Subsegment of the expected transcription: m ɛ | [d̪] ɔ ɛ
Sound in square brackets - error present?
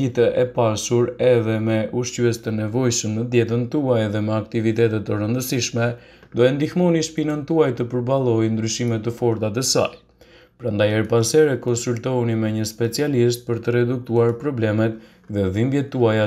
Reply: no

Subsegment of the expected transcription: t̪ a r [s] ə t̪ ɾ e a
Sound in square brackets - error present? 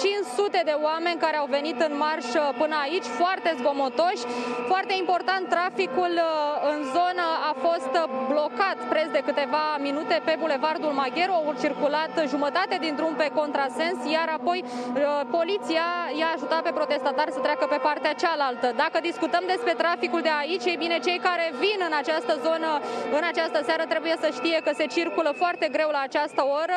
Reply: no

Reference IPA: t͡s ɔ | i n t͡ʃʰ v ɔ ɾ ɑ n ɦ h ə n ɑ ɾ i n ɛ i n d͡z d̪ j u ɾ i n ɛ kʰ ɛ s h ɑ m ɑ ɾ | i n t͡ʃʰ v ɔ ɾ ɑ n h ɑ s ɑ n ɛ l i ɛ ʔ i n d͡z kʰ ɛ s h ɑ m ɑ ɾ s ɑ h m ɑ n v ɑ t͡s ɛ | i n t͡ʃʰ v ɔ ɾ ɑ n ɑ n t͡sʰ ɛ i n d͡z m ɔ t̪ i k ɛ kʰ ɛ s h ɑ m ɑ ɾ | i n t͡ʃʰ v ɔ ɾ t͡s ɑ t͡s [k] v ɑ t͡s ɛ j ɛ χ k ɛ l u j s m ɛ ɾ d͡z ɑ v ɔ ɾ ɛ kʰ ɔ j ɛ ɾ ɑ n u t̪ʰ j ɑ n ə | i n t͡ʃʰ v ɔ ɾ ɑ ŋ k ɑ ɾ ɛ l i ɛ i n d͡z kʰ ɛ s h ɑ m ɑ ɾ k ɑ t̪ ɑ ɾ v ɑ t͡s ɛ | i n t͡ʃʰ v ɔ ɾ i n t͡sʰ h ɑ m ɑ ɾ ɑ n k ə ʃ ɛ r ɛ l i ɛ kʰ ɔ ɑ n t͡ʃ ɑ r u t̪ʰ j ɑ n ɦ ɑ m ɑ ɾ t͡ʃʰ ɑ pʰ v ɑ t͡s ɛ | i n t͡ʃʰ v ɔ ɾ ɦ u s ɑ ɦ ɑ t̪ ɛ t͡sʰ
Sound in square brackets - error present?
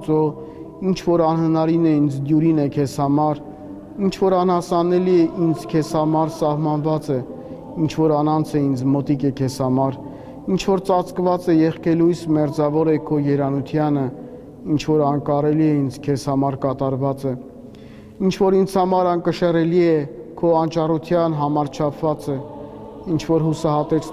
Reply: no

